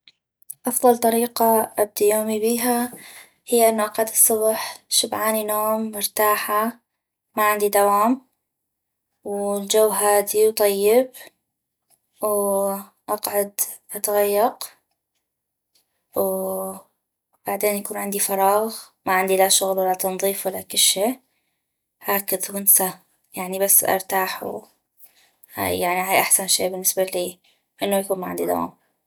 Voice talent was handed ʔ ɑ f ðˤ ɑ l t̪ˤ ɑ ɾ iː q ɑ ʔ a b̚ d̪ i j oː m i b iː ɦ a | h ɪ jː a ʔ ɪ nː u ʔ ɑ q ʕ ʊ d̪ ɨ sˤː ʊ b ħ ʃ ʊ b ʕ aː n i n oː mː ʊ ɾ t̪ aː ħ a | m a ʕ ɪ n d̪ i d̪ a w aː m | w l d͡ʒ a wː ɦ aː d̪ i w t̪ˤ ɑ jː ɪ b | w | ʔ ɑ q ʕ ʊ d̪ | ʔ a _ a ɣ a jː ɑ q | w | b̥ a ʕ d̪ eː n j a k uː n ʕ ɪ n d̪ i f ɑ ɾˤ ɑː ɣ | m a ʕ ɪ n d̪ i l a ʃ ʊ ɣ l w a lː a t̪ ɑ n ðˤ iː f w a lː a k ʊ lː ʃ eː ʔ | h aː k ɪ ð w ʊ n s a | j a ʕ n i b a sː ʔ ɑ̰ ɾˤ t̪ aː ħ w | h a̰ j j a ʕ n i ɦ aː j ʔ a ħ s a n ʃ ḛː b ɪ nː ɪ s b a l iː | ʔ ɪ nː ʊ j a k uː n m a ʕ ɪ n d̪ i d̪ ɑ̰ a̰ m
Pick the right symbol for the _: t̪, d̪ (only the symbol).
t̪